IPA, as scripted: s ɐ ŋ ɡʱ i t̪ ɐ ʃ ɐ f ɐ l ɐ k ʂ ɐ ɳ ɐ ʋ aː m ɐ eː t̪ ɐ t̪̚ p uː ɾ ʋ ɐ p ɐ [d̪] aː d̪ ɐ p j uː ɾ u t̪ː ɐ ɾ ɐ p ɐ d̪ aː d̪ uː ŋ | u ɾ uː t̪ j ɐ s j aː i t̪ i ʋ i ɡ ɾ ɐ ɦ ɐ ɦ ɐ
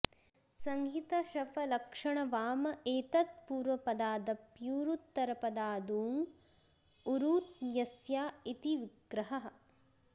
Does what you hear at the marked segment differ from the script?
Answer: no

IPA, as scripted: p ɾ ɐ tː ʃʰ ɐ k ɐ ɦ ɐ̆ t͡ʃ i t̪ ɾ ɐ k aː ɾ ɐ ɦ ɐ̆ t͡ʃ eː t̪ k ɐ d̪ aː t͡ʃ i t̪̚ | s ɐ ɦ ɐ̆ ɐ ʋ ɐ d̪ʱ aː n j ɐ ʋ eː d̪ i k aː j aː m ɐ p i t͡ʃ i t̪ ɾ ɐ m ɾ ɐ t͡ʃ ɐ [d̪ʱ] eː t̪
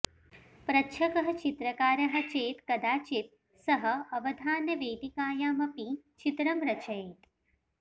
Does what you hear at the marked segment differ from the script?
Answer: yes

